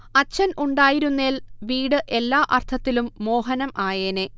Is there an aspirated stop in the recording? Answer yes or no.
yes